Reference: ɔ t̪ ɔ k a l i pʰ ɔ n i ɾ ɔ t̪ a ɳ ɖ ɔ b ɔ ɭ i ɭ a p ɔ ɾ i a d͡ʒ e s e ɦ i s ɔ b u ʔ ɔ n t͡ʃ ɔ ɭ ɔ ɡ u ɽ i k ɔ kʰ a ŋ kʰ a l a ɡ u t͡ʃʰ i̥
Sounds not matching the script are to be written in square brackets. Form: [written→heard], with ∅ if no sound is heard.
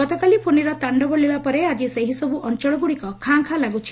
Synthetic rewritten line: ɔ t̪ ɔ k a l i pʰ [ɔ→o] n i ɾ ɔ t̪ a ɳ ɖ ɔ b ɔ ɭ i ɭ a p ɔ ɾ [i→e] a d͡ʒ [e→i] s e ɦ i s ɔ b u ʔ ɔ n t͡ʃ ɔ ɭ ɔ ɡ u ɽ i k ɔ kʰ a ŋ kʰ a l a ɡ u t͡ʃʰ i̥